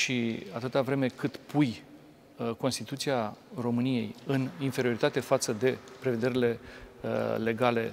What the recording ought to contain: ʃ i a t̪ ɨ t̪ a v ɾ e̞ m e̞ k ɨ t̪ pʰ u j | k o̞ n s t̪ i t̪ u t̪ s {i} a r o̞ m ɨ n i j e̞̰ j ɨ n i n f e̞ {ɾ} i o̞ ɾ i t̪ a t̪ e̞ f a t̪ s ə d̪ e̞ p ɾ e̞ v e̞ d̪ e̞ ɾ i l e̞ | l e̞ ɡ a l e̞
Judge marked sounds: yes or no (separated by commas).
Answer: yes, yes